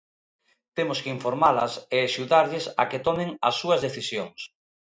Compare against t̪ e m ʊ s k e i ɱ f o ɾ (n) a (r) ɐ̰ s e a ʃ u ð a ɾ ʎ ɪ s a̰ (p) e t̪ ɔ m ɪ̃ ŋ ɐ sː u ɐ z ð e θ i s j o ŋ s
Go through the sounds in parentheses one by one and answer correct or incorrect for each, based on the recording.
incorrect, incorrect, incorrect

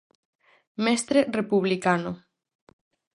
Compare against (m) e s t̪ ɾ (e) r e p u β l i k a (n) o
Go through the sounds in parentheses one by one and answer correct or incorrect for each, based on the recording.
correct, correct, correct

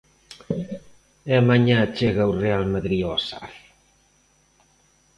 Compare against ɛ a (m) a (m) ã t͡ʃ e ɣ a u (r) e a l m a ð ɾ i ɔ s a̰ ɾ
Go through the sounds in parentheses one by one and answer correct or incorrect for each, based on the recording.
correct, incorrect, correct

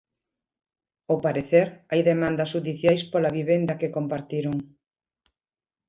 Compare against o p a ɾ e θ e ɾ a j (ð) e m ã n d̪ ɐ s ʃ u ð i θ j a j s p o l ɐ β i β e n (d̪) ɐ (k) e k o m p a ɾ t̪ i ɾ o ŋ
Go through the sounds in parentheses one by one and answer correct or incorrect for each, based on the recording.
correct, correct, correct

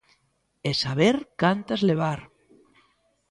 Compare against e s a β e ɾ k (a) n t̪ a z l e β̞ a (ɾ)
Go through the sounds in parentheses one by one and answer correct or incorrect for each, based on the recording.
correct, correct

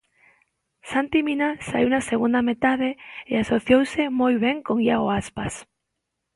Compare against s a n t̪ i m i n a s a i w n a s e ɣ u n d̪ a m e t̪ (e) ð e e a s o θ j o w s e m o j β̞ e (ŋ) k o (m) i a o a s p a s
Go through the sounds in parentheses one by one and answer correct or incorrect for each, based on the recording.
incorrect, correct, incorrect

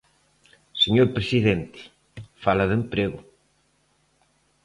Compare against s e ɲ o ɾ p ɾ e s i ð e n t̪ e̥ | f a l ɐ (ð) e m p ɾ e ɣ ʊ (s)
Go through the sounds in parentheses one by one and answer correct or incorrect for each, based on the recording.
correct, incorrect

